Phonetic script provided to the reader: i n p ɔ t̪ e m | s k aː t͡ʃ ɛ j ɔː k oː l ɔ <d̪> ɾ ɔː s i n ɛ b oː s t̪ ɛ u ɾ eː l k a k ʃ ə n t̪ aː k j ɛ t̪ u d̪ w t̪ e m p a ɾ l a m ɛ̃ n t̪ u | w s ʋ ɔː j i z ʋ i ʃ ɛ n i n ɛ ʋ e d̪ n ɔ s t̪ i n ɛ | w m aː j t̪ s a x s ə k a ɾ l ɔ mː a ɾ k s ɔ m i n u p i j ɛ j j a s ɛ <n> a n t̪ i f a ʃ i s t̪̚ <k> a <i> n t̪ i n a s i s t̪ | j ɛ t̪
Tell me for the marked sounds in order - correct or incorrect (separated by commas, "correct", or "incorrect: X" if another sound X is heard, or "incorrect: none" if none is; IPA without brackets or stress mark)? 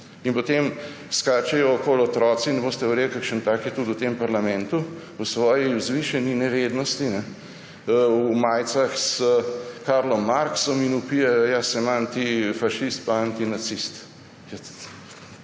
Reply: incorrect: t̪, incorrect: m, incorrect: p, incorrect: a